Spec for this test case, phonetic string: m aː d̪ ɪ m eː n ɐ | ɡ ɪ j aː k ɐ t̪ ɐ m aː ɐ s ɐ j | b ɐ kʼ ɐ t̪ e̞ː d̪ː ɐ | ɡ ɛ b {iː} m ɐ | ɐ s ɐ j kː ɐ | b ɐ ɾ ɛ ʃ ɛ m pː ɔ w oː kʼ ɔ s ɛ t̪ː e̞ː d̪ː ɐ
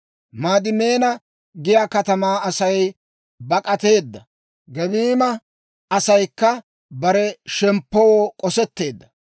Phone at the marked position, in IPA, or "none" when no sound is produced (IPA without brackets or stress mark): iː